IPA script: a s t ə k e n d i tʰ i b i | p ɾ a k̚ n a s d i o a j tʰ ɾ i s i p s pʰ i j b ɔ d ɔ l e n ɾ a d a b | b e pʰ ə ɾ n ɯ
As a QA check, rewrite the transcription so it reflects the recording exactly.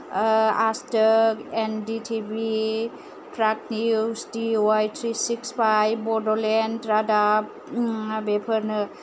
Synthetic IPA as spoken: a s t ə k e n d i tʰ i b i | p ɾ a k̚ n i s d i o a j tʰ ɾ i s i k s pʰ a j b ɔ d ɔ l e n ɾ a d a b | b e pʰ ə ɾ n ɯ